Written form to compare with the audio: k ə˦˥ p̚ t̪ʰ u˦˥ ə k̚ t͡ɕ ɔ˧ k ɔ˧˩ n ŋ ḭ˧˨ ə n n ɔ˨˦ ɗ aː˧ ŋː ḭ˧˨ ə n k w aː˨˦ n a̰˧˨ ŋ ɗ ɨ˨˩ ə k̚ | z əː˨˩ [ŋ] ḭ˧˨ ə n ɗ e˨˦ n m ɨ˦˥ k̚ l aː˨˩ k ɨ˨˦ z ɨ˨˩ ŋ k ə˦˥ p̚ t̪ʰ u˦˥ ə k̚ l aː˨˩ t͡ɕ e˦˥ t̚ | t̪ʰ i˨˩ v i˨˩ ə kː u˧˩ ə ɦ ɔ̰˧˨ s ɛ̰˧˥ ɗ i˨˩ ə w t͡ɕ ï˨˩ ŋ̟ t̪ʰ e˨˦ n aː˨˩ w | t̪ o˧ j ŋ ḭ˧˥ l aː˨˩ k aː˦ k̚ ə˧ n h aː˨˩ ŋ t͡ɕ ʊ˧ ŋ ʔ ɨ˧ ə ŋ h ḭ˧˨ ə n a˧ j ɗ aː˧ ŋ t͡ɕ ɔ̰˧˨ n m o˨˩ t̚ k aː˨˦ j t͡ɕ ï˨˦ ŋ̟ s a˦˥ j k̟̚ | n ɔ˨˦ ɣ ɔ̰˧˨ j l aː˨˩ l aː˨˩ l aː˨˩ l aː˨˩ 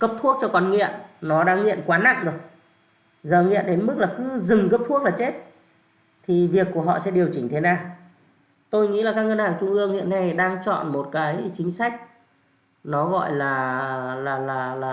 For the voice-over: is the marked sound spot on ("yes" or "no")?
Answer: yes